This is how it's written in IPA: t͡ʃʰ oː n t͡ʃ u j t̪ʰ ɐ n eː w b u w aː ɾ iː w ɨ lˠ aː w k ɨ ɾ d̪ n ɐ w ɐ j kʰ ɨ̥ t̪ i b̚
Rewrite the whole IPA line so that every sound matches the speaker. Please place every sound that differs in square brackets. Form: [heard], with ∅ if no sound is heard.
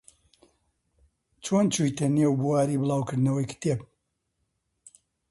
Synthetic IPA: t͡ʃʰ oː n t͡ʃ u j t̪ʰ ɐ n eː w b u w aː ɾ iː [b] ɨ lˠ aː w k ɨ ɾ d̪ n ɐ w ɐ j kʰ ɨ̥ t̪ [e] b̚